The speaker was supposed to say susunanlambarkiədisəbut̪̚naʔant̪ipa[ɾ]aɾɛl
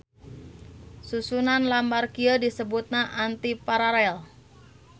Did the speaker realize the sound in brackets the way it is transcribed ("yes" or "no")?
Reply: yes